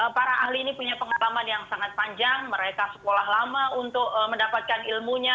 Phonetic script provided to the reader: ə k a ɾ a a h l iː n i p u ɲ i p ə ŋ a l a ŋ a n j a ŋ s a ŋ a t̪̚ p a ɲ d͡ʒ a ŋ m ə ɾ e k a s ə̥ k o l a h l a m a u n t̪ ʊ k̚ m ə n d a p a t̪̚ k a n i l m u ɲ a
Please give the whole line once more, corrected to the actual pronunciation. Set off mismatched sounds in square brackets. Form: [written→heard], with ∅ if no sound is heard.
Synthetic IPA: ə [k→p] a ɾ a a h l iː n i p u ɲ [i→a] p ə ŋ a l a [ŋ→m] a n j a ŋ s a ŋ a t̪̚ p a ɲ d͡ʒ a ŋ m ə ɾ e k a s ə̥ k o l a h l a m a u n t̪ ʊ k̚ m ə n d a p a t̪̚ k a n i l m u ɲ a